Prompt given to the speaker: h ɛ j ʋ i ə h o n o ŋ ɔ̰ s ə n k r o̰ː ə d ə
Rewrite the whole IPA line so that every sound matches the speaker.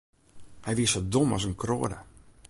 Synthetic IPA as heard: h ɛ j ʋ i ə s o d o m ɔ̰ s ə n k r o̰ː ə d ə